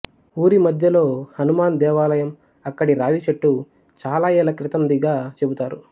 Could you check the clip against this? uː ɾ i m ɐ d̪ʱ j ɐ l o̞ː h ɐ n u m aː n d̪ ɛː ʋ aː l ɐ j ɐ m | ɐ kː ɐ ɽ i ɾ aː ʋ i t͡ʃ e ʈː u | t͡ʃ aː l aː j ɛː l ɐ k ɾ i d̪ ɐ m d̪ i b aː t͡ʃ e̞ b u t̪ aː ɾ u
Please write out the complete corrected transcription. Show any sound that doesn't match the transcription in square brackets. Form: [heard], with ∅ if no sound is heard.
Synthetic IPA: uː ɾ i m ɐ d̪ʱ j ɐ l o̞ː h ɐ n u m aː n d̪ ɛː ʋ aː l ɐ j ɐ m | ɐ kː ɐ ɽ i ɾ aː ʋ i t͡ʃ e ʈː u | t͡ʃ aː l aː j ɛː l ɐ k ɾ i [t̪] ɐ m d̪ i [ɡ] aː t͡ʃ e̞ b u t̪ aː ɾ u